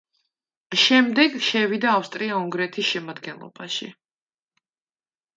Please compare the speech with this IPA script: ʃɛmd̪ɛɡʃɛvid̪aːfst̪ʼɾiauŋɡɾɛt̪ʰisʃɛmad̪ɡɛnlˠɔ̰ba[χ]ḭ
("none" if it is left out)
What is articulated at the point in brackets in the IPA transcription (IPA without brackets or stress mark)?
ʃ